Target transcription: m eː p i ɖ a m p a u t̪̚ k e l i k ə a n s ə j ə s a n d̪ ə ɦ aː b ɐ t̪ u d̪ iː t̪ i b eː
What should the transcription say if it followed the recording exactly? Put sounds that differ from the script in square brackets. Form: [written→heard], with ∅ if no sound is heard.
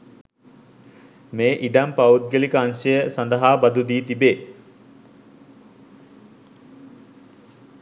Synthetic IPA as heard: m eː [p→ʔ] i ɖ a m p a u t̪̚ [k→ɡ] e l i k ə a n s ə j ə s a n d̪ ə ɦ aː b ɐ [t̪→d̪] u d̪ iː t̪ i b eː